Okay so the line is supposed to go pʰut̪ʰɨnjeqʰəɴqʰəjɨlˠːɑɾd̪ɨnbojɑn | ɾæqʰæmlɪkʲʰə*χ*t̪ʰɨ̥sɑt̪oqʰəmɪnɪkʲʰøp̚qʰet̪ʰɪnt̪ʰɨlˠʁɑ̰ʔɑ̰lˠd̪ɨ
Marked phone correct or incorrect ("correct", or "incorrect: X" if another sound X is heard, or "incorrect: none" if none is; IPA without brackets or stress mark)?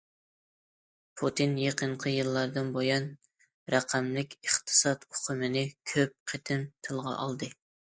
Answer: correct